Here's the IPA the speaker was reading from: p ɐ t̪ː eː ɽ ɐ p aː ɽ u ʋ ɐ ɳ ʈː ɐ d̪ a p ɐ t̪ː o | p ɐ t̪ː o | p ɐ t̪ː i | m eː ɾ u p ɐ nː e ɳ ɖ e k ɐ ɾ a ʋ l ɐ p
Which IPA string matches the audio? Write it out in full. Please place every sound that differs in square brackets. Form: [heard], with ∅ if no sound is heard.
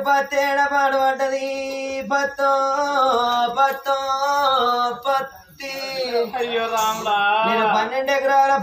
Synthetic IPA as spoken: p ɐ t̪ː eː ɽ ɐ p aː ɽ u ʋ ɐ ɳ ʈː ɐ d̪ [i] p ɐ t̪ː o | p ɐ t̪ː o | p ɐ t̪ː i | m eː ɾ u p ɐ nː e ɳ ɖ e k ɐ ɾ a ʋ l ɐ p